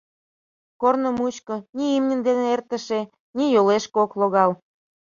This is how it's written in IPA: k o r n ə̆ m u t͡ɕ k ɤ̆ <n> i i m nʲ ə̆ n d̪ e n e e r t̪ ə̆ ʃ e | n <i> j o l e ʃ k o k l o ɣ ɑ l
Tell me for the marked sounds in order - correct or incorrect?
correct, correct

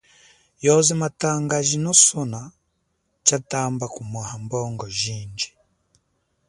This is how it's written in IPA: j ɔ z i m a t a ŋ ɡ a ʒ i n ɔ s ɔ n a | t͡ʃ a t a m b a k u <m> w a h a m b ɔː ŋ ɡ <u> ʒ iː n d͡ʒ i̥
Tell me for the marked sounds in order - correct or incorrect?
correct, incorrect

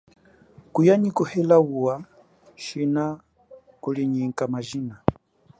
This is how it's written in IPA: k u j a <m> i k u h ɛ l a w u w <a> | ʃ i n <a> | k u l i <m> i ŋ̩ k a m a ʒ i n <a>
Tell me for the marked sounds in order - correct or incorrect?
incorrect, correct, correct, incorrect, correct

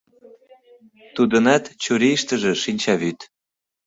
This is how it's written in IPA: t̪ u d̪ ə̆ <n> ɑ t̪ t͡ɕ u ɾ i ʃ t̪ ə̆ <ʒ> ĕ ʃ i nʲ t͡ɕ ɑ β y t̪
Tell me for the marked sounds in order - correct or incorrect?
correct, correct

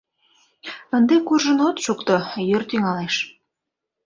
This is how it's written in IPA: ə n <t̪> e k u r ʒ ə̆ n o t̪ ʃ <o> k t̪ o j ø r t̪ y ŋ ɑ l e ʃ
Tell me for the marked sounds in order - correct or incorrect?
incorrect, incorrect

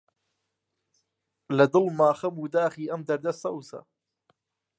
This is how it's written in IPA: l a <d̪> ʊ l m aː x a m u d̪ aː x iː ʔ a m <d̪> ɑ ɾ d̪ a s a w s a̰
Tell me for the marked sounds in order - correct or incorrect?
correct, correct

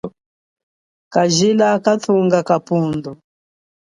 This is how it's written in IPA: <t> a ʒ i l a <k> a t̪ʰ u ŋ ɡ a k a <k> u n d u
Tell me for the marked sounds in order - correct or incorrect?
incorrect, correct, incorrect

